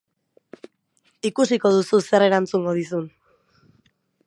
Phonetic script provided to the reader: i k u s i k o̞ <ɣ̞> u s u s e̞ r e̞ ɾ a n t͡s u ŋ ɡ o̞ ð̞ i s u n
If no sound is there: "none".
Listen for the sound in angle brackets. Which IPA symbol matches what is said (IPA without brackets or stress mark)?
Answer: ð̞